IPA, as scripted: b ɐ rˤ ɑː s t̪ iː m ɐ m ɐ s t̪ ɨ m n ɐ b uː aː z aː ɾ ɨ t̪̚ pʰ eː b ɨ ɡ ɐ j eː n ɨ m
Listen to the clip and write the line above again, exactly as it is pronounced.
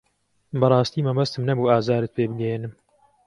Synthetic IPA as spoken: b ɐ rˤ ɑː s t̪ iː m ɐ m ɐ s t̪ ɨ m n ɐ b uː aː z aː ɾ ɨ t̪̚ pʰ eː b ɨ ɡ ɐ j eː n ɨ m